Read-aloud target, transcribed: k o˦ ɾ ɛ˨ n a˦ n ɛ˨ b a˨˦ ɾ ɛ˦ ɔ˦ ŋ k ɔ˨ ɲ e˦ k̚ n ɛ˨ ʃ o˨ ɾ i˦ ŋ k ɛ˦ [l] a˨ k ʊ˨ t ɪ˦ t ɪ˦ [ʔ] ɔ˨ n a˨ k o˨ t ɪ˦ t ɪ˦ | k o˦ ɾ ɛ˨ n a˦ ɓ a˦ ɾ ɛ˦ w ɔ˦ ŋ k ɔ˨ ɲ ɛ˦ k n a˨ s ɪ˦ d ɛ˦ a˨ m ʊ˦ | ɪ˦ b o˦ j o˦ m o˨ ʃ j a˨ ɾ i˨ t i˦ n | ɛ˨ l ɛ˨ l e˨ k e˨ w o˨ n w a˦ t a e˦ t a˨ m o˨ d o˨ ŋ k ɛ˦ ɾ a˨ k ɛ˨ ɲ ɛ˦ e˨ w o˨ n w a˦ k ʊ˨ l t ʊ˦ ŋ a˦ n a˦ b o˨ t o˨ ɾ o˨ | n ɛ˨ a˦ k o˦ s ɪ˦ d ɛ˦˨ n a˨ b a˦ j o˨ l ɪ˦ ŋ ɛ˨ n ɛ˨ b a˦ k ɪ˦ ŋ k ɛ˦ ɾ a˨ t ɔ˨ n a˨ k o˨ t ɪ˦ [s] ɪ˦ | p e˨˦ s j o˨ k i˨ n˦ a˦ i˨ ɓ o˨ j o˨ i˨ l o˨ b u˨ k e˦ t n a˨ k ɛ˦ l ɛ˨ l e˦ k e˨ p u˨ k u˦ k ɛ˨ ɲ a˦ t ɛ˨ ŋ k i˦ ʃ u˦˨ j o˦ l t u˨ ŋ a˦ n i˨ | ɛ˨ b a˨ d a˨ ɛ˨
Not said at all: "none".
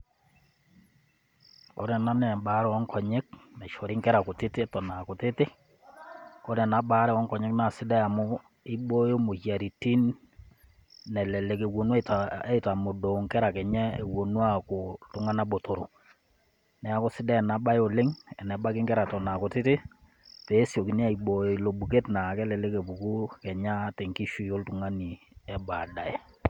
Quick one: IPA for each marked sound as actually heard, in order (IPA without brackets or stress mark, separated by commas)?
ɾ, t, t